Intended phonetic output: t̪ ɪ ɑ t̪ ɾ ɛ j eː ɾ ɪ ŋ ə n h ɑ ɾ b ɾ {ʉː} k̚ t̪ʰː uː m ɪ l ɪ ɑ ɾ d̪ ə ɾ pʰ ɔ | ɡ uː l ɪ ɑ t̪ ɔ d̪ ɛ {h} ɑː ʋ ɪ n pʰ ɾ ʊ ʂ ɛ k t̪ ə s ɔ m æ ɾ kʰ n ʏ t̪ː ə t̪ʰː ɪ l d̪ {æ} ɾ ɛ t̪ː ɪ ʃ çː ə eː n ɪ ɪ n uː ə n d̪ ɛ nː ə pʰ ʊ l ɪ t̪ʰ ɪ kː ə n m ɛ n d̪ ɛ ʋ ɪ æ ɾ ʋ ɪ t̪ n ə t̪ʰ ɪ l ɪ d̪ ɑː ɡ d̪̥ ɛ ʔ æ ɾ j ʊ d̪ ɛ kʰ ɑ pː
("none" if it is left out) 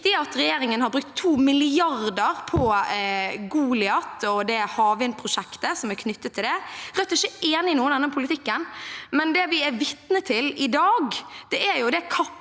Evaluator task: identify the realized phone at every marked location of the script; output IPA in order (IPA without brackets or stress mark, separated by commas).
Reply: ʉ, h, ɛ